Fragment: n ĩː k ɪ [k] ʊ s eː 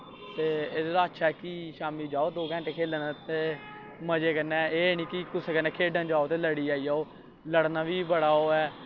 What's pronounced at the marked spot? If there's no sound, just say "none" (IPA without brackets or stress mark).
k